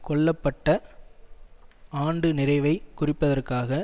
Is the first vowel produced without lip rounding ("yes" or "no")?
no